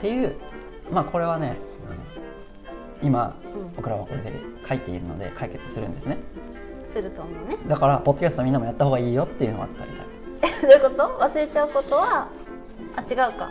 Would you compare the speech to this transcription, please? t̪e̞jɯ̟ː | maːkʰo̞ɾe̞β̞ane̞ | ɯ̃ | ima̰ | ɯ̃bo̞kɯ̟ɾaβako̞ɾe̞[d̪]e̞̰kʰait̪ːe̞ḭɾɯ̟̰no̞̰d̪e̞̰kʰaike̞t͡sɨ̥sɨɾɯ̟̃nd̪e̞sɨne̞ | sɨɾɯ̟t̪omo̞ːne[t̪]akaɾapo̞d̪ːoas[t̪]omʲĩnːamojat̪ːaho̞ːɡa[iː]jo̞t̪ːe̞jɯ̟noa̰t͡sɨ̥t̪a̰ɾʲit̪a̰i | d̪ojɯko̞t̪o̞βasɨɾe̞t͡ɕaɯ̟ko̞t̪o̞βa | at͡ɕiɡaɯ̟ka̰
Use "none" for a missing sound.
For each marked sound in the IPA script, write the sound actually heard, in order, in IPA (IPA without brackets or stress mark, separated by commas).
d̪, d̪, t̪, iː